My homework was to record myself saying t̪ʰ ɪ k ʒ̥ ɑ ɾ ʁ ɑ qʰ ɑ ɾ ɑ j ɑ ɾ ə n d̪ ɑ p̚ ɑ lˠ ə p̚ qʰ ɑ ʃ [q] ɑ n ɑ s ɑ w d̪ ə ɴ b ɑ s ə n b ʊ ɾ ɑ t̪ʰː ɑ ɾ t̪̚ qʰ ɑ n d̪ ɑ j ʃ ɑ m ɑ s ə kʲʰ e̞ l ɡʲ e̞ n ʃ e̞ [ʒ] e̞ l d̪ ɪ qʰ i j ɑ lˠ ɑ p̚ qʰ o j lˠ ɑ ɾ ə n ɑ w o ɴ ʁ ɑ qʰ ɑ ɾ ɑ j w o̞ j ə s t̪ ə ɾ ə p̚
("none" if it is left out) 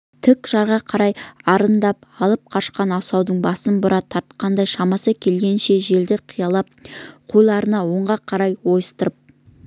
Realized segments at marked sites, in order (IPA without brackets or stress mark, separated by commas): q, ʒ